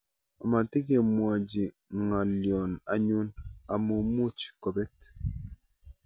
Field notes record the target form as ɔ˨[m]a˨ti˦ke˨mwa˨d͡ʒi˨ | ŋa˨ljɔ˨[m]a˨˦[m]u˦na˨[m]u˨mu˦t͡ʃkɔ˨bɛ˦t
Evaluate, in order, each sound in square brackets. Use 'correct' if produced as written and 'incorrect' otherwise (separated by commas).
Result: correct, incorrect, incorrect, correct